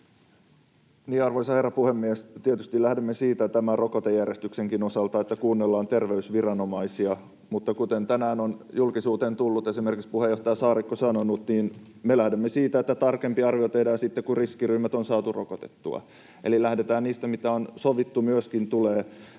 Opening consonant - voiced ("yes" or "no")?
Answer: yes